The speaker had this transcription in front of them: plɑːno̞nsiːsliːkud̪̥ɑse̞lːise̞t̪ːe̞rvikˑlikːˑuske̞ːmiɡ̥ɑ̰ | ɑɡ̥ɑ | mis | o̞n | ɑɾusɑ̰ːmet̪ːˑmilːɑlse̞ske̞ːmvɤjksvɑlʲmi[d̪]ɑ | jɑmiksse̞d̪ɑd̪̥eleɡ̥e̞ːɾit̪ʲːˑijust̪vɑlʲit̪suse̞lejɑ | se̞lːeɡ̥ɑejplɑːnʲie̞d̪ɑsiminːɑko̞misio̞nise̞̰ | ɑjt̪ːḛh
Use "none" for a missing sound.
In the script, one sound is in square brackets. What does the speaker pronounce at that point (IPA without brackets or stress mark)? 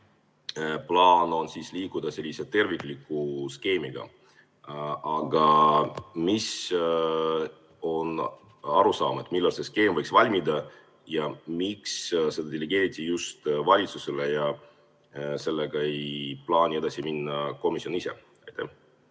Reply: d̪